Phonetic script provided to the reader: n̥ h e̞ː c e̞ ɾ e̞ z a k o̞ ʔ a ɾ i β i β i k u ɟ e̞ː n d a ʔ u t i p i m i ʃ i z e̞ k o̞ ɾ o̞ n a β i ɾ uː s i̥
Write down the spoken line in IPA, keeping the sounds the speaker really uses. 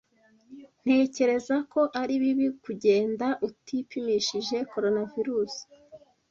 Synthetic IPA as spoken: n̥ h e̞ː c e̞ ɾ e̞ z a k o̞ ʔ a ɾ i β i β i k u ɟ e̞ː n d a ʔ u t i p i m i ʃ i ʒ e̞ k o̞ ɾ o̞ n a v i ɾ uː s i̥